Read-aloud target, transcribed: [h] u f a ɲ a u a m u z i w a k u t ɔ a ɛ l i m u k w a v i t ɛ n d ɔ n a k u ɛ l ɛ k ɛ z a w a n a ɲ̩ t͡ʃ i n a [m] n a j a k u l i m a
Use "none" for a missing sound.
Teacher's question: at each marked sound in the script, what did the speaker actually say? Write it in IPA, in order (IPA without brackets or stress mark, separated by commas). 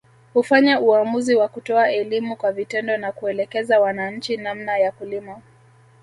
h, m